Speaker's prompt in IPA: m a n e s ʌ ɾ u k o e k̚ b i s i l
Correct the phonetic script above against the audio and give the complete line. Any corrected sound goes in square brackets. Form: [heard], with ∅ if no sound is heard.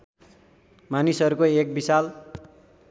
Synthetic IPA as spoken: m a n [i] s ʌ ɾ u k o e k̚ b i s [a] l